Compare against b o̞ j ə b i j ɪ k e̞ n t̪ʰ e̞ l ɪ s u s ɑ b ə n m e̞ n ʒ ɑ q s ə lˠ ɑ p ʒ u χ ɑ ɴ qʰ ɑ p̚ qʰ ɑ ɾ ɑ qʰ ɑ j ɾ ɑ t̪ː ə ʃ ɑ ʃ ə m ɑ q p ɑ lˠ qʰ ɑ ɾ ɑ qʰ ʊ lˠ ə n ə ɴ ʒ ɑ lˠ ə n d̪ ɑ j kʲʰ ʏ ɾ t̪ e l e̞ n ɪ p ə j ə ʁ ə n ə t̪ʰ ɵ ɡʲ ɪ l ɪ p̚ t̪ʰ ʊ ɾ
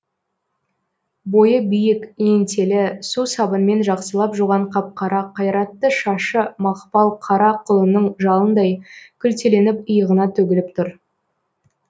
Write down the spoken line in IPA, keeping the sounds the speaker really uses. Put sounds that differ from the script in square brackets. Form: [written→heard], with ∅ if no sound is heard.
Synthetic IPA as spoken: b o̞ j ə b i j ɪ k e̞ n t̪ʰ e̞ l ɪ s u s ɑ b ə n m e̞ n ʒ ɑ q s ə lˠ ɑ p ʒ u [χ→ʁ] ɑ ɴ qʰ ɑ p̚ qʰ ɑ ɾ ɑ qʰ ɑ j ɾ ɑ t̪ː ə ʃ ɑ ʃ ə m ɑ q p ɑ lˠ qʰ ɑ ɾ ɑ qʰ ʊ lˠ ə n ə ɴ ʒ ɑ lˠ ə n d̪ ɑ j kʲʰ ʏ [ɾ→l] t̪ e l e̞ n ɪ p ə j ə ʁ ə n [ə→ɑ] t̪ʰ ɵ ɡʲ ɪ l ɪ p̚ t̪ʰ ʊ ɾ

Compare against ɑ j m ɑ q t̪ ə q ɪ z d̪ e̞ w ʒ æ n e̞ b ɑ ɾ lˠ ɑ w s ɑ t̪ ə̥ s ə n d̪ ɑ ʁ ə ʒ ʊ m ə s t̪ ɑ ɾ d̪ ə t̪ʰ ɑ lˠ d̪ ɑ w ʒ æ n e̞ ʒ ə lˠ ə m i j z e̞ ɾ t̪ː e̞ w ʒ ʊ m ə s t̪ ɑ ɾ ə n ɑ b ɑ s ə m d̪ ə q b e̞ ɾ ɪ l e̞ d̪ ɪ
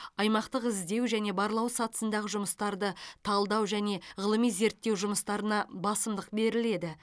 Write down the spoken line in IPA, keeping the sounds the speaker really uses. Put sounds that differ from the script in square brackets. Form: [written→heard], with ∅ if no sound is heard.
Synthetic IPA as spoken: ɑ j m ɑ q t̪ ə q ɪ z d̪ e̞ w ʒ æ n e̞ b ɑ ɾ lˠ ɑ w s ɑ t̪ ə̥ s ə n d̪ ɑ ʁ ə ʒ ʊ m ə s t̪ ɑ ɾ d̪ ə t̪ʰ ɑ lˠ d̪ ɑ w ʒ æ n e̞ [ʒ→ʁ] ə lˠ ə m i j z e̞ ɾ t̪ː e̞ w ʒ ʊ m ə s t̪ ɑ ɾ ə n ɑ b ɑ s ə m d̪ ə q b e̞ ɾ ɪ l e̞ d̪ ɪ

